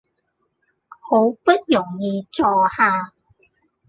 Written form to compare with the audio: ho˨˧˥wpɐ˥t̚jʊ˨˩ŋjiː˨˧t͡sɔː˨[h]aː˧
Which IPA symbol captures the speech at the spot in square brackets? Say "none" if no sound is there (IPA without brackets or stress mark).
h